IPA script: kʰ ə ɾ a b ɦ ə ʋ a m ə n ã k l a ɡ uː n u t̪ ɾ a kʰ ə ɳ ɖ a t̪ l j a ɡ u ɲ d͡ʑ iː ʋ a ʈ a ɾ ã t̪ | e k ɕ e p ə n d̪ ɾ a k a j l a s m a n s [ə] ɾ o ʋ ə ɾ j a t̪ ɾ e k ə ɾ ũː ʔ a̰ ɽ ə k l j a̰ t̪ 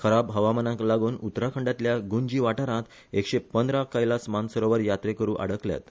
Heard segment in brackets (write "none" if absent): ə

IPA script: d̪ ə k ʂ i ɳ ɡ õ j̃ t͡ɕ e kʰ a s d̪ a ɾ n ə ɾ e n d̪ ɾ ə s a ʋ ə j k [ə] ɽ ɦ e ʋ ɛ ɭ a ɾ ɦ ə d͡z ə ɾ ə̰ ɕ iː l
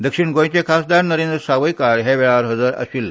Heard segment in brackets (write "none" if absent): a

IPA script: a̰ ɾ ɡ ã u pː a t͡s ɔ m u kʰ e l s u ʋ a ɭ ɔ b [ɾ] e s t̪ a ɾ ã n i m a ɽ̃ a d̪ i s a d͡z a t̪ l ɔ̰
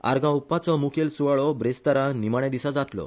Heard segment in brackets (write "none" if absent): ɾ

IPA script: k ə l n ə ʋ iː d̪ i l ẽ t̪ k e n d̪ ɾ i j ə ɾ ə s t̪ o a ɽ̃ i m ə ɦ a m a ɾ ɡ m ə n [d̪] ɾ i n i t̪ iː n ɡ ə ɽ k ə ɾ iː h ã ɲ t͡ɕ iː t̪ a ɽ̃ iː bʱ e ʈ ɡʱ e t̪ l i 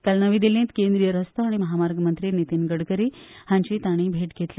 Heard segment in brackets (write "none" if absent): t̪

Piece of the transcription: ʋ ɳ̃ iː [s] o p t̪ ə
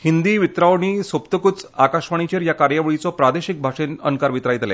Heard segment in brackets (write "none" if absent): s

